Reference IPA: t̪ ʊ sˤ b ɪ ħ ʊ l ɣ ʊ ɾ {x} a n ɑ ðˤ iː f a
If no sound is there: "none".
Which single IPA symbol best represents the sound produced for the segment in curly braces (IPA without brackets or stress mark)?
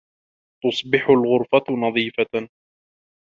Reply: f